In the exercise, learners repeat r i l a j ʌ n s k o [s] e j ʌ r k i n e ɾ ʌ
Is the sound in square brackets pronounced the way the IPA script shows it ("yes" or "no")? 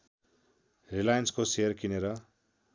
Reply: yes